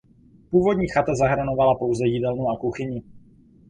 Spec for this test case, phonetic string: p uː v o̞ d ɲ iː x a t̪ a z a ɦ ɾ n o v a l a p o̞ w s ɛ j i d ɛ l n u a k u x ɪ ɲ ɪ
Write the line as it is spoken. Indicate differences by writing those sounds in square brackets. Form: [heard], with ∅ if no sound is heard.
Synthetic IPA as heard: p uː v o̞ d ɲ iː x a t̪ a z a ɦ ɾ n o v a l a p o̞ w [z] ɛ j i d ɛ l n u a k u x ɪ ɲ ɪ